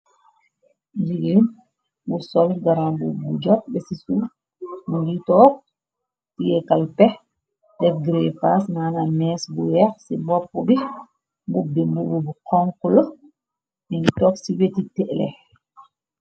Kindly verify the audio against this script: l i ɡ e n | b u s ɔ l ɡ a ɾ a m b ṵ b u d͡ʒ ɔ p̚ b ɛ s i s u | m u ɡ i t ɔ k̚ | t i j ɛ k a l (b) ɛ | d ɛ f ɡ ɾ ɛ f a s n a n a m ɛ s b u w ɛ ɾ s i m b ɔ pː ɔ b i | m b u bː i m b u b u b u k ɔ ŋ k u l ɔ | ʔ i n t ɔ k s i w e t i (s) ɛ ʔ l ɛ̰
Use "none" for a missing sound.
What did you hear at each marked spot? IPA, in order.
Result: p, t

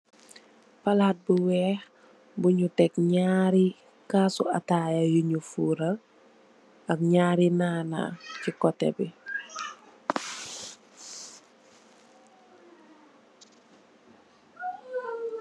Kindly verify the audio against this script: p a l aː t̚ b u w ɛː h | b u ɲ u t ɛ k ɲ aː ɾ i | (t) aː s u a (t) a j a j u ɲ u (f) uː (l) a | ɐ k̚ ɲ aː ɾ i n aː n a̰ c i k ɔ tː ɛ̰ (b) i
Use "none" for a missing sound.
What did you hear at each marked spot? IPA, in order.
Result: k, t, f, ɾ, b

